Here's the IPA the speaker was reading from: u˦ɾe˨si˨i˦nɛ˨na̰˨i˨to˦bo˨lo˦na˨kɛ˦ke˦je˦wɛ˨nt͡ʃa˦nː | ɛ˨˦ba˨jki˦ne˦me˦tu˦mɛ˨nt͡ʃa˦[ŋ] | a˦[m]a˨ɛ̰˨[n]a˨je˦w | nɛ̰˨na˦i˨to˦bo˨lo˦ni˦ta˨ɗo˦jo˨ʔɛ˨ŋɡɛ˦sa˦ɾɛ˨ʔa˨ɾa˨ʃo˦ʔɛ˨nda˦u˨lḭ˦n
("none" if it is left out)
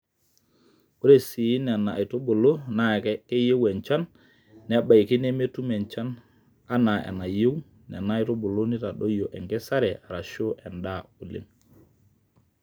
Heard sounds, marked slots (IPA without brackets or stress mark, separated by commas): n, n, n